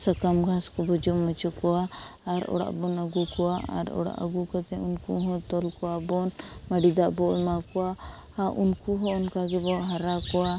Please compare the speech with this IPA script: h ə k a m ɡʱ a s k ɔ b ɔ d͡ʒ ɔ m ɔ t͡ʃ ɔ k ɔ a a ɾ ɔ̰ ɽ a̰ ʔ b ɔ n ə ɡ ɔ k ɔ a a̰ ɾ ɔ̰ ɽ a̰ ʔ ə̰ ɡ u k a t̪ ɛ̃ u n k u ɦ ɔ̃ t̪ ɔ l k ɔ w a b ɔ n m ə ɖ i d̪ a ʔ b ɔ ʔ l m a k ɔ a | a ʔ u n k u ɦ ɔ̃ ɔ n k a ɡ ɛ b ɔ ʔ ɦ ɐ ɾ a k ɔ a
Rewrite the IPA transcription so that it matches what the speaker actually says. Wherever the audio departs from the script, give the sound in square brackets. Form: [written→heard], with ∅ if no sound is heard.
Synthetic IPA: [h→s] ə k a m ɡʱ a s k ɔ b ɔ d͡ʒ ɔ m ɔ t͡ʃ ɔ k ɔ a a ɾ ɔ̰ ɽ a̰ ʔ b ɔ n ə ɡ [ɔ→u] k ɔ a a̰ ɾ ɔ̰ ɽ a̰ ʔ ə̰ ɡ u k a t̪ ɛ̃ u n k u ɦ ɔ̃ t̪ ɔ l k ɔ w a b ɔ n m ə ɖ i d̪ a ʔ b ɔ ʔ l m a k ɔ a | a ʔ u n k u ɦ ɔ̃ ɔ n k a ɡ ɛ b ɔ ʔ ɦ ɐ ɾ a k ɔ a

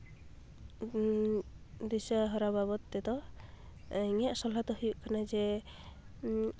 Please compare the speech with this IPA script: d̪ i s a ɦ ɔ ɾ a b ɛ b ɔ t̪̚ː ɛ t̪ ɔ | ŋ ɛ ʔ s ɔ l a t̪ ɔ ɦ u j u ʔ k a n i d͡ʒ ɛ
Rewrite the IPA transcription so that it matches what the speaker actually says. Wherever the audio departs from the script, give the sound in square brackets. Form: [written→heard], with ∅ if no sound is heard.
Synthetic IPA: d̪ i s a ɦ ɔ ɾ a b [ɛ→a] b ɔ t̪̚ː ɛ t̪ ɔ | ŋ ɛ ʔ s ɔ l a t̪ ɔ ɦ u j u ʔ k a n [i→a] d͡ʒ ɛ

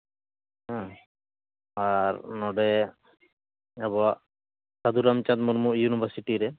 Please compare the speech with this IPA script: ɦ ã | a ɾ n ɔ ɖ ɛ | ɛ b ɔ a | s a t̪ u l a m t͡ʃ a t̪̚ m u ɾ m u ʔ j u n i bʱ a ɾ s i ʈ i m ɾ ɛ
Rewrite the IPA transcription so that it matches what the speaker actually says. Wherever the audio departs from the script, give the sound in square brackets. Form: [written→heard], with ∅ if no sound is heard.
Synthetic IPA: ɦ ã | a ɾ n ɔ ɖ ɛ | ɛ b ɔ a | s a [t̪→d̪] u [l→ɾ] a m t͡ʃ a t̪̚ m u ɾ m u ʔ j u n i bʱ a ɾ s i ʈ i [m→∅] ɾ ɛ

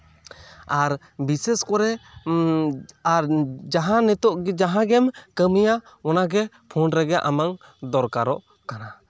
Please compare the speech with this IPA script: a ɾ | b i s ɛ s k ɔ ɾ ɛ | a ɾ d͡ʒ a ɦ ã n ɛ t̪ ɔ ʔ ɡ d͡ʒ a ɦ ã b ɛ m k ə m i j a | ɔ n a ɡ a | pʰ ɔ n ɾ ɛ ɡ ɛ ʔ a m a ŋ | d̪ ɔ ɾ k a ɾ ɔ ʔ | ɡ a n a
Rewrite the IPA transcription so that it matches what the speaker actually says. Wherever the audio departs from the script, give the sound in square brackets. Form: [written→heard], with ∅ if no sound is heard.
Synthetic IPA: a ɾ | b i s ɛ s k ɔ ɾ ɛ | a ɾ d͡ʒ a ɦ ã n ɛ t̪ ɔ ʔ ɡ d͡ʒ a ɦ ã [b→ɡ] ɛ m k ə m i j a | ɔ n a ɡ [a→ɛ] | pʰ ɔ n ɾ ɛ ɡ ɛ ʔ a m a ŋ | d̪ ɔ ɾ k a ɾ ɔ ʔ | [ɡ→k] a n a

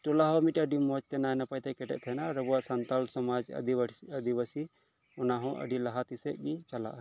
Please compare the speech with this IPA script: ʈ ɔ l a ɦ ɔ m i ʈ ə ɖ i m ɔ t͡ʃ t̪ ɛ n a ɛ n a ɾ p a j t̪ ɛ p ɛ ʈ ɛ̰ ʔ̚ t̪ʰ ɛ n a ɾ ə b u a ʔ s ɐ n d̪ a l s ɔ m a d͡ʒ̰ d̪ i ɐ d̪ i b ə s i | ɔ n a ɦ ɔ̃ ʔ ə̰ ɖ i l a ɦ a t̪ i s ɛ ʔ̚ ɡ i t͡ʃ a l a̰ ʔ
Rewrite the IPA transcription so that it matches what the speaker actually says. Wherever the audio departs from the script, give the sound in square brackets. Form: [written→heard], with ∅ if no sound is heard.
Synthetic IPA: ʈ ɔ l a ɦ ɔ m i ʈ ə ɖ i m ɔ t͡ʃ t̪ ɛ n a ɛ n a [ɾ→∅] p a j t̪ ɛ [p→k] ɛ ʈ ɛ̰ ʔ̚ t̪ʰ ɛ n a ɾ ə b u a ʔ s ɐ n [d̪→t̪] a l s ɔ m a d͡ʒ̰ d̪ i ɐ d̪ i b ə s i | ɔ n a ɦ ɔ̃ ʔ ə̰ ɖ i l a ɦ a t̪ i s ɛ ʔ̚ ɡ i t͡ʃ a l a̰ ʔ

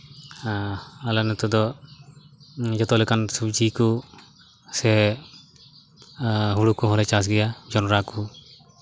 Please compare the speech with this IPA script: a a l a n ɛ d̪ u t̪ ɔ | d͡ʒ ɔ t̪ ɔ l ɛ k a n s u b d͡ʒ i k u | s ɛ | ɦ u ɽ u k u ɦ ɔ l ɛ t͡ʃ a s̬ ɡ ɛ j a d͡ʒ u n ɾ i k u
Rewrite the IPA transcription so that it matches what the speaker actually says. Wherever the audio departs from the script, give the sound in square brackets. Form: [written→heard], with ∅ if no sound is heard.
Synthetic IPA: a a l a n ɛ [d̪→t̪] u [t̪→d̪] ɔ | d͡ʒ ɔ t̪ ɔ l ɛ k a n s u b d͡ʒ i k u | s ɛ | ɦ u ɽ u k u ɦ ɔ l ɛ t͡ʃ a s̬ ɡ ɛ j a d͡ʒ [u→ɔ] n ɾ [i→a] k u

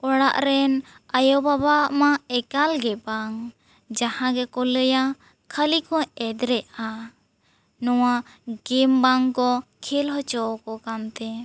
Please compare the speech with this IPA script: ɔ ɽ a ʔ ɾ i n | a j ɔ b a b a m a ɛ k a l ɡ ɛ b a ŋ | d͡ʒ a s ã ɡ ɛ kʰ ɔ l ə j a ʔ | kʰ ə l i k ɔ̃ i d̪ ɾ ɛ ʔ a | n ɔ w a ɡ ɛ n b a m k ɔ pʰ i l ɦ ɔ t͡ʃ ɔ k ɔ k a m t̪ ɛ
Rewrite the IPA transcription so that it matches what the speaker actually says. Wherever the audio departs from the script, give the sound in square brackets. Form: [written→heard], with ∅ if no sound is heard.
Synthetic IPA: ɔ ɽ a ʔ ɾ [i→ɛ] n | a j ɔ b a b a m a ɛ k a l ɡ ɛ b a ŋ | d͡ʒ a [s→h] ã ɡ ɛ [kʰ→k] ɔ l ə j a [ʔ→∅] | kʰ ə l i k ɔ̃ [i→ɛ] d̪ ɾ ɛ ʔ a | n ɔ w a ɡ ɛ [n→m] b a [m→ŋ] k ɔ [pʰ→kʰ] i l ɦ ɔ t͡ʃ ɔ k ɔ k a m t̪ ɛ

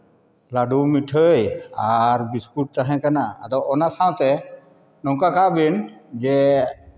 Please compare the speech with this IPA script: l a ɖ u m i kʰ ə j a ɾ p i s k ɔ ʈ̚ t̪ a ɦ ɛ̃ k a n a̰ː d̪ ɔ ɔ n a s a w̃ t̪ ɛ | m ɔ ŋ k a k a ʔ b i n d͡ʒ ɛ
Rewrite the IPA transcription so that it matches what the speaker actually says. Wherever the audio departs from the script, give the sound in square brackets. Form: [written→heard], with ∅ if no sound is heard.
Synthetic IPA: l a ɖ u m i [kʰ→ʈʰ] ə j a ɾ [p→b] i s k [ɔ→u] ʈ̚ t̪ a ɦ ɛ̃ k a n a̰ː d̪ ɔ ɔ n a s a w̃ t̪ ɛ | [m→n] ɔ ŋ k a k a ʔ b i n d͡ʒ ɛ

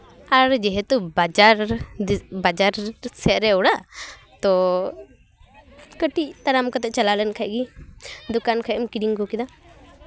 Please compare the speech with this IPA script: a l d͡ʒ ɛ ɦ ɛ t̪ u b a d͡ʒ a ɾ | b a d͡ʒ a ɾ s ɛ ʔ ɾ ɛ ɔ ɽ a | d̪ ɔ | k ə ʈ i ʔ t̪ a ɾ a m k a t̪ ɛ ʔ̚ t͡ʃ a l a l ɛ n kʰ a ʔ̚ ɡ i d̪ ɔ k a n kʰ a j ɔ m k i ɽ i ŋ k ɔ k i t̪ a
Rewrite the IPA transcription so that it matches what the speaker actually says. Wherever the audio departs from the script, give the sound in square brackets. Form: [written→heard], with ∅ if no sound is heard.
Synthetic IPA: a [l→ɾ] d͡ʒ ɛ ɦ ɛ t̪ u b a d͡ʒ a ɾ | b a d͡ʒ a ɾ s ɛ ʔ ɾ ɛ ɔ ɽ a | [d̪→t̪] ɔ | k ə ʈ i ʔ t̪ a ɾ a m k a t̪ ɛ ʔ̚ t͡ʃ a l a l ɛ n kʰ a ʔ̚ ɡ i d̪ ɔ k a n kʰ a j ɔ m k i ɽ i ŋ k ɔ k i [t̪→d̪] a

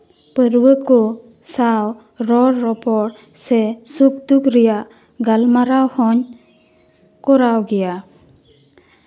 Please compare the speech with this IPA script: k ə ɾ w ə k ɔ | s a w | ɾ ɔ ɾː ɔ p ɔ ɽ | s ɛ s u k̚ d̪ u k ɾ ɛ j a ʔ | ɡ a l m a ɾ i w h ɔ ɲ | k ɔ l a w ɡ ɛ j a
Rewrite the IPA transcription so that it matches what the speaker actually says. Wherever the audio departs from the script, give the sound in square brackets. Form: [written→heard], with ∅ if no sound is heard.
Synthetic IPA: [k→p] ə ɾ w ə k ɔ | s a w | ɾ ɔ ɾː ɔ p ɔ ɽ | s ɛ s u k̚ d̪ u k ɾ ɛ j a ʔ | ɡ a l m a ɾ [i→a] w h ɔ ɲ | k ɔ [l→ɾ] a w ɡ ɛ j a

